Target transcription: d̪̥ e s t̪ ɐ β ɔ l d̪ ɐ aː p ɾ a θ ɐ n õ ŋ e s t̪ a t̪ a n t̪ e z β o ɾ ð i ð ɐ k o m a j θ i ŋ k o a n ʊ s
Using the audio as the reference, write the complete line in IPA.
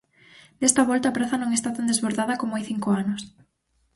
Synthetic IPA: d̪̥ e s t̪ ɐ β ɔ l t̪ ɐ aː p ɾ a θ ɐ n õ ŋ e s t̪ a t̪ a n d̪ e z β o ɾ ð a ð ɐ k o m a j θ i ŋ k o a n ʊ s